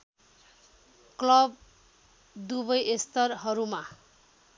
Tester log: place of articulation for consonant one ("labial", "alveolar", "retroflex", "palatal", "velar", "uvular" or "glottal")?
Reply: velar